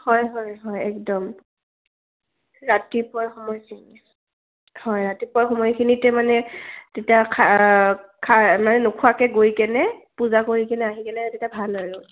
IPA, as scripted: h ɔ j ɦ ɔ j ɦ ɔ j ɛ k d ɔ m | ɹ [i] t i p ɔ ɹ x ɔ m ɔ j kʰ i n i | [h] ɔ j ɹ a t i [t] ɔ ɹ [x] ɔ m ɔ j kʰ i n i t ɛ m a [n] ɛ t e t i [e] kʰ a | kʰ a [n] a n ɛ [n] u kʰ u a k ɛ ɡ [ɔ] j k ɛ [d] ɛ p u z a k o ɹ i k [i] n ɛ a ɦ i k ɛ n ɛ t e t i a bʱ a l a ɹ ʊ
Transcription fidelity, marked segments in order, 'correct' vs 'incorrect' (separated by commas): incorrect, correct, incorrect, correct, correct, incorrect, incorrect, correct, incorrect, incorrect, incorrect